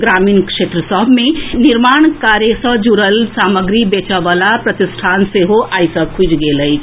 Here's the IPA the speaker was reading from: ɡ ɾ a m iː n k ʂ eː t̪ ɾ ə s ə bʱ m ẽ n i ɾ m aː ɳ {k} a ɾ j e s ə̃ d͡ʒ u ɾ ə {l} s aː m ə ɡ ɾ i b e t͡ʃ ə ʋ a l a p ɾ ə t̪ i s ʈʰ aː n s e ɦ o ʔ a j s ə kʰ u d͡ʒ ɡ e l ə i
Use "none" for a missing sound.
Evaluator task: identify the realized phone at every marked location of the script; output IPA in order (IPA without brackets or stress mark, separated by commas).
k, l